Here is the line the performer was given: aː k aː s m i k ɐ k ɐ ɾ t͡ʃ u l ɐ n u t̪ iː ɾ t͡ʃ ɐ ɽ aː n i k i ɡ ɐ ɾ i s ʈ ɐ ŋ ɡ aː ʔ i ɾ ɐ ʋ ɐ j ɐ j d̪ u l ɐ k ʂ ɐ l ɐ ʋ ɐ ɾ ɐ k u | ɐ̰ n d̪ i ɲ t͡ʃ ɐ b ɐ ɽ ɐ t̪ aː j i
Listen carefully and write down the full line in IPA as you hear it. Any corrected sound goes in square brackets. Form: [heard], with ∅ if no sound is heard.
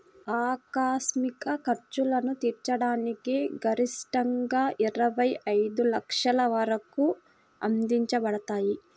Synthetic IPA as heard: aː k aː s m i k ɐ k ɐ ɾ t͡ʃ u l ɐ n u t̪ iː ɾ t͡ʃ ɐ ɽ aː n i k i ɡ ɐ ɾ i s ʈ ɐ ŋ ɡ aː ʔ i ɾ ɐ ʋ ɐ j ɐ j d̪ u l ɐ k ʂ ɐ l ɐ ʋ ɐ ɾ ɐ k u | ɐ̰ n d̪ i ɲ t͡ʃ ɐ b ɐ ɽ ɐ t̪ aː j i